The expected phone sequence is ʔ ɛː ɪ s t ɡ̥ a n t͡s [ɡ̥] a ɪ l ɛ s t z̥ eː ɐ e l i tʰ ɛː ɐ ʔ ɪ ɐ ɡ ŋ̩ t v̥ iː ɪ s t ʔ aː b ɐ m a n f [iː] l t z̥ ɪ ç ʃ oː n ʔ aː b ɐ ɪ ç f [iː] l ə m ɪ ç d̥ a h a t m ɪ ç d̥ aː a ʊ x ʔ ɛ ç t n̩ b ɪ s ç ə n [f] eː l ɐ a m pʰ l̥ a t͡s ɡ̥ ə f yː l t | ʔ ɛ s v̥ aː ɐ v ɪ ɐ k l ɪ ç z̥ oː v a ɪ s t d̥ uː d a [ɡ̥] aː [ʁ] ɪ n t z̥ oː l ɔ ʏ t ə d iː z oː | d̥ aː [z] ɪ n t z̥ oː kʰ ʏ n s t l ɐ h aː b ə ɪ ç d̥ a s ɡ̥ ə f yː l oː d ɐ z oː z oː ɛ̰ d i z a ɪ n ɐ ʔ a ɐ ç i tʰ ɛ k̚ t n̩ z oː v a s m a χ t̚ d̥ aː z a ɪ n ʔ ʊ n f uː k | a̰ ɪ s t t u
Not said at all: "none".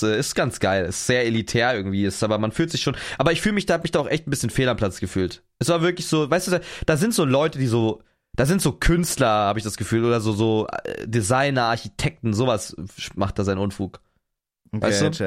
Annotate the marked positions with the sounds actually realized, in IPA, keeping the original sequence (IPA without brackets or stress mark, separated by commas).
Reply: ɡ̥, yː, yː, f, d̥, z, z